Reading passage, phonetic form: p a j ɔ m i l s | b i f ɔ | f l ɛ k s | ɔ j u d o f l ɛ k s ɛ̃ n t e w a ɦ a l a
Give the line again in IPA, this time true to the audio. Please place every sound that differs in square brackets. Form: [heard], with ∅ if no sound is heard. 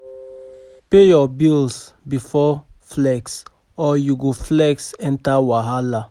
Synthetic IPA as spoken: p [e] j ɔ [b] i l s | b i f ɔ | f l ɛ k s | ɔ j u [ɡ] o f l ɛ k s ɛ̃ n t [a] w a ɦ a l a

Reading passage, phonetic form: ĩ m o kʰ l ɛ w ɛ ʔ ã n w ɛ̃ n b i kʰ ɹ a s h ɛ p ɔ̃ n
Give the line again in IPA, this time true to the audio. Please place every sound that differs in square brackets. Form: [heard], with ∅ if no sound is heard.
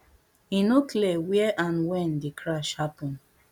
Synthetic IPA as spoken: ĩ [n] o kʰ l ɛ w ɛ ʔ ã n w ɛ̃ n [d] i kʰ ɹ a [ʃ] h [a] p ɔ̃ n

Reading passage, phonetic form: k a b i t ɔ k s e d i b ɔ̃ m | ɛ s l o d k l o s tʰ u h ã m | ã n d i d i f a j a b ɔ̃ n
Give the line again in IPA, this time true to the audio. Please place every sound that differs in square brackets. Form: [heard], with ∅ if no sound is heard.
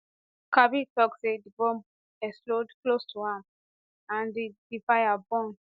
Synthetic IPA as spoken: k a b i t ɔ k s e d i b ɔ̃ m | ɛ s l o d k l o s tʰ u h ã m | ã n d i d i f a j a b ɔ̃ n

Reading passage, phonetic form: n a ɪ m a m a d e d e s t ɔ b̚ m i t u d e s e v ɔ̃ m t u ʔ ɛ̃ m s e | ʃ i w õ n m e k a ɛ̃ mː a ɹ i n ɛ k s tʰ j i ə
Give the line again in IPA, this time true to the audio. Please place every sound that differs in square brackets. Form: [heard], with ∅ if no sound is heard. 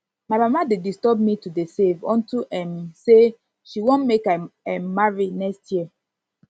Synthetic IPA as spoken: [m] a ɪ m a m a d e d [i] s t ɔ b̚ m i t u d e s e v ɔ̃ [n] t u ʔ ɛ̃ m s e | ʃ i w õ n m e k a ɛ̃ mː a ɹ i n ɛ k s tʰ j i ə

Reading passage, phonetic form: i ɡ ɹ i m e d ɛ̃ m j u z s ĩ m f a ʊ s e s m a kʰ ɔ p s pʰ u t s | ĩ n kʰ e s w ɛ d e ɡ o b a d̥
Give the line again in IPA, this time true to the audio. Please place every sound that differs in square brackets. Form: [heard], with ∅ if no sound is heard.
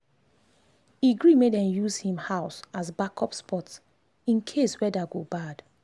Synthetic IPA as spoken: i ɡ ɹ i m e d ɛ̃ m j u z [h] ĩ m [h] a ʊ s [a] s [b] a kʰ ɔ p s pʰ [ɔ] t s | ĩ n kʰ e s w ɛ d [a] ɡ o b a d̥

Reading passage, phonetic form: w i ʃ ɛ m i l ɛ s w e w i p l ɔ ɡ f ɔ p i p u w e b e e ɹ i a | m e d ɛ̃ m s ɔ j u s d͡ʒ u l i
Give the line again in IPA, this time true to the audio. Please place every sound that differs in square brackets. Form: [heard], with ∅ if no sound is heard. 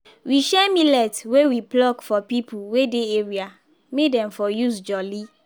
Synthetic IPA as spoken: w i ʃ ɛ m i l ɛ [t] w e w i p l ɔ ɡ f ɔ p i p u w e [d] e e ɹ i a | m e d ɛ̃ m [f] ɔ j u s d͡ʒ [ɔ] l i

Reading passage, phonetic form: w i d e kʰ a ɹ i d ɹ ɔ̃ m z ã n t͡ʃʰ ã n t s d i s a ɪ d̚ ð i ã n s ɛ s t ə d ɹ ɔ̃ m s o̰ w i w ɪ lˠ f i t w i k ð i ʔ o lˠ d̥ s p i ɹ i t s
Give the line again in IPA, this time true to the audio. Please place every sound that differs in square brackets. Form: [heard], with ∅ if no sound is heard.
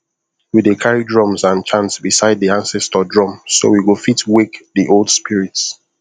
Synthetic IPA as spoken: w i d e kʰ a ɹ i d ɹ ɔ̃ m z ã n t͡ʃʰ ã n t s [b] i s a ɪ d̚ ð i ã n s ɛ s t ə d ɹ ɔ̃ m s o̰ w i w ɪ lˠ f i t w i k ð i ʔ o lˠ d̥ s p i ɹ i t s

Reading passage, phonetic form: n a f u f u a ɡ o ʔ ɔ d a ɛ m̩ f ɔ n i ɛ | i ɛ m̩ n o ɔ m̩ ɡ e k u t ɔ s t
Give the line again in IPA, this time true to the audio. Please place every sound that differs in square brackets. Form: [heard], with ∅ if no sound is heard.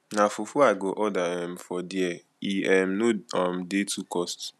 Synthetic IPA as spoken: n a f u f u a ɡ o ʔ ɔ d a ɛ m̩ f ɔ [d] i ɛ | i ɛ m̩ n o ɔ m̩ [d] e [t] u [k] ɔ s t

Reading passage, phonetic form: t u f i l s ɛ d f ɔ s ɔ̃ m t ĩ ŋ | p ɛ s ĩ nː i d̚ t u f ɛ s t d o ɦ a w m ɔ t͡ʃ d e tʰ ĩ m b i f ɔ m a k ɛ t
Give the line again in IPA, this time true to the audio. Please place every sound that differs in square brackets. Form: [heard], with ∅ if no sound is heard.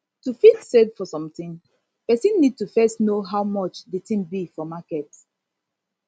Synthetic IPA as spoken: t u f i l s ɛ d f ɔ s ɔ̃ m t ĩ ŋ | p ɛ s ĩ nː i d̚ t u f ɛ s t [n] o ɦ a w m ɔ t͡ʃ d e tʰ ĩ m b i f ɔ m a k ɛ t

